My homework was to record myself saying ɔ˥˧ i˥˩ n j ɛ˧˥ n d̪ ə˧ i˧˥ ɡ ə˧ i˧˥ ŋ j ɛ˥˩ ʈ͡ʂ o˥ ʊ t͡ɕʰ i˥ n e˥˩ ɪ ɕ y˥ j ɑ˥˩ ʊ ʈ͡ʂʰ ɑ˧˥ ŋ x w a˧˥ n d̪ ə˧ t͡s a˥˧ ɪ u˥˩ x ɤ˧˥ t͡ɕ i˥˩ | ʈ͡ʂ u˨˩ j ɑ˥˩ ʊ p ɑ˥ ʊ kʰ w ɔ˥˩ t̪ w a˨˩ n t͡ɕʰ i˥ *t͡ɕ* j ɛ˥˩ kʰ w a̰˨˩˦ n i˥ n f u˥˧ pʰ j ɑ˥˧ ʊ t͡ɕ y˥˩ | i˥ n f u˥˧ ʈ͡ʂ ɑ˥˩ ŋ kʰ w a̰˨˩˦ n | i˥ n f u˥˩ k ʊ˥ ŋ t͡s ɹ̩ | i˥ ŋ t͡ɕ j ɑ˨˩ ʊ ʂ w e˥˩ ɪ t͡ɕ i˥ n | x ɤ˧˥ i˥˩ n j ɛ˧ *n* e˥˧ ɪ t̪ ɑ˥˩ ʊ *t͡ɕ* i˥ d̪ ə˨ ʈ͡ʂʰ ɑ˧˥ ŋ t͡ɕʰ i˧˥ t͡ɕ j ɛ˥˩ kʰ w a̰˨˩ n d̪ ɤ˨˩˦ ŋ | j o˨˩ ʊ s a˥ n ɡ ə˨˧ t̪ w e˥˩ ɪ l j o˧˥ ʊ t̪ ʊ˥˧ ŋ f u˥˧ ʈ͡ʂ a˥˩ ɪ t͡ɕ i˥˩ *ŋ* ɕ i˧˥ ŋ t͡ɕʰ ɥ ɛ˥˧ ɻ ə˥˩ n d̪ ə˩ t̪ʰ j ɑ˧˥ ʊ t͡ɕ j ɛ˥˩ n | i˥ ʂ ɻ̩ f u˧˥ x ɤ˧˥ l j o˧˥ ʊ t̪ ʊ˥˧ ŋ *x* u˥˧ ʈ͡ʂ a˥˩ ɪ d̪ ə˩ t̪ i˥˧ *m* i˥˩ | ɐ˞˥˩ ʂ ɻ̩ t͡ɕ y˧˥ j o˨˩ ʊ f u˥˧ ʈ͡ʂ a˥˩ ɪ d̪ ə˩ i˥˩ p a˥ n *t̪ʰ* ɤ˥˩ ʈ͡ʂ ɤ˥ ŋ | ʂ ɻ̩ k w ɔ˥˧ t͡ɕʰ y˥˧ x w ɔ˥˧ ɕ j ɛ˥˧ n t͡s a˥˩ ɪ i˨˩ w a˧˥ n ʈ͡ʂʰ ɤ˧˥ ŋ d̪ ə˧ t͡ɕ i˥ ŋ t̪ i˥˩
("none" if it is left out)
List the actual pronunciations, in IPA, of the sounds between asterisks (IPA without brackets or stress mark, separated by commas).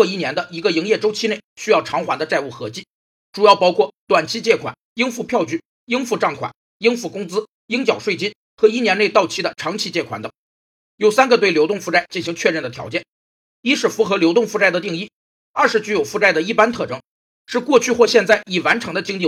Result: t͡ɕ, n, t͡ɕʰ, n, f, ŋ, t̪ʰ